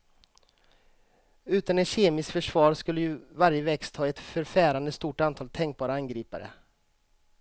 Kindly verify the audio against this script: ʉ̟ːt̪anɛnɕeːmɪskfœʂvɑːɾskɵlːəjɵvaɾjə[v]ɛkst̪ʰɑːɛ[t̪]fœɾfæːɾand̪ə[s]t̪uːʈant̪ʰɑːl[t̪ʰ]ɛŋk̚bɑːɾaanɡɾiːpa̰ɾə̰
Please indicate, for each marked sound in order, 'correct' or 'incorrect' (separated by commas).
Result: correct, correct, correct, correct